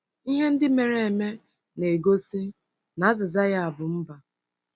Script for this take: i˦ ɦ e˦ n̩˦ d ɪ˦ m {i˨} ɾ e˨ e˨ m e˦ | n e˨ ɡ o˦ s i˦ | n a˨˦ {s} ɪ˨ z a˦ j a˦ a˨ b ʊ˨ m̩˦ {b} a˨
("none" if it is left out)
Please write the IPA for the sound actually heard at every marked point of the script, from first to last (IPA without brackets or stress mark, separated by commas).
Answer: e˨, z, b